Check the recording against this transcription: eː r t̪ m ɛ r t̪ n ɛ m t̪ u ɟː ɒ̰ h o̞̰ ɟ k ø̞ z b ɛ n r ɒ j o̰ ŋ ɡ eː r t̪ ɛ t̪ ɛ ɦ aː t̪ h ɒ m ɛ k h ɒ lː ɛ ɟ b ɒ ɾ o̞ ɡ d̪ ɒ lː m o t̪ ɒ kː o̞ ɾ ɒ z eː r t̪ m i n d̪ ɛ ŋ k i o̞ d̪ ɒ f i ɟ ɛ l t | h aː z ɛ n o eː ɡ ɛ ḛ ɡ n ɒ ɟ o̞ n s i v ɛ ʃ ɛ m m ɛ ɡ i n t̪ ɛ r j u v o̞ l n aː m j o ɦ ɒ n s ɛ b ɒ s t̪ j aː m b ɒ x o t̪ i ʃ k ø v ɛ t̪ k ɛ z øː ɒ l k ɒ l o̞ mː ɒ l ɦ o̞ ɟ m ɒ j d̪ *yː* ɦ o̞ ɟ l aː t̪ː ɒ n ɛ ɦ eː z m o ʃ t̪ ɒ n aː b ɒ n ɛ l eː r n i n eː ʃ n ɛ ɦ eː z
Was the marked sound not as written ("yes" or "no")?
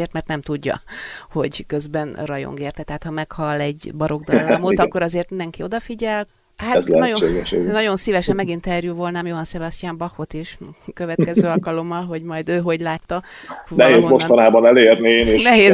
yes